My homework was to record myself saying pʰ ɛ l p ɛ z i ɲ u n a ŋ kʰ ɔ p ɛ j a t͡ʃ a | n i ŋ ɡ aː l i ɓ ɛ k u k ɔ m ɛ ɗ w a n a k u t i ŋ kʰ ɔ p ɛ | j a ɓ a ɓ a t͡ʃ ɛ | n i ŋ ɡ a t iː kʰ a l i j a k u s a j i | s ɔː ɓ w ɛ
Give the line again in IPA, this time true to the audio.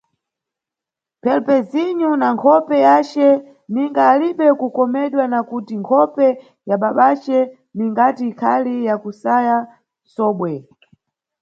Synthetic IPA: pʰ ɛ l p ɛ z i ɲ u n a ŋ kʰ ɔ p ɛ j a t͡ʃ ɛ | n i ŋ ɡ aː l i ɓ ɛ k u k ɔ m ɛ ɗ w a n a k u t i ŋ kʰ ɔ p ɛ | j a ɓ a ɓ a t͡ʃ ɛ | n i ŋ ɡ a t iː kʰ a l i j a k u s a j a | s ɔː ɓ w ɛ